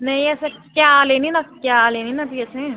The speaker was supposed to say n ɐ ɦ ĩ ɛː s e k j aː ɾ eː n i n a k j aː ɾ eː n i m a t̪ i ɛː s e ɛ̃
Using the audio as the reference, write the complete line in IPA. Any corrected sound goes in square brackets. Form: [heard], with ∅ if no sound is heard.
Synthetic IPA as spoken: n ɐ ɦ ĩ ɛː s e k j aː [l] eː n i n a k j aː [l] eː n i [n] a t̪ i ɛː s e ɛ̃